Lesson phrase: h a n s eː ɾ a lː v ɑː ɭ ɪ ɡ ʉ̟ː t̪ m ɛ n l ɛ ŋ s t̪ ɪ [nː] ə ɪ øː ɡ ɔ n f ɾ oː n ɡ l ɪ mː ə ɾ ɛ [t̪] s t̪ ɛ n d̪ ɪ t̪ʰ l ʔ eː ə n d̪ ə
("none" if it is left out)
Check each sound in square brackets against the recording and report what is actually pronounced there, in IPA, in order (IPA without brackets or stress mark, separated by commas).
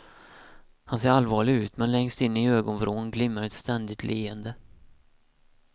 nː, t̪